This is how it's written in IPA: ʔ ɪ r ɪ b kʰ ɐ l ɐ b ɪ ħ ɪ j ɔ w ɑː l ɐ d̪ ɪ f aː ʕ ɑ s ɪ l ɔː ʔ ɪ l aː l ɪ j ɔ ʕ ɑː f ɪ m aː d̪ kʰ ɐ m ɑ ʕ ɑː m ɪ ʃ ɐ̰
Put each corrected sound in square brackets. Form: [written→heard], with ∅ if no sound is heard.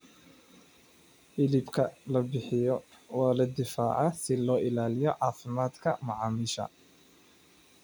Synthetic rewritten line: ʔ ɪ [r→l] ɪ b kʰ ɐ l ɐ b ɪ ħ ɪ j ɔ w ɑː l ɐ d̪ ɪ f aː ʕ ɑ s ɪ l ɔː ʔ ɪ l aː l ɪ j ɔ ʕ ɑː f ɪ m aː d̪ kʰ ɐ m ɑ ʕ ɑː m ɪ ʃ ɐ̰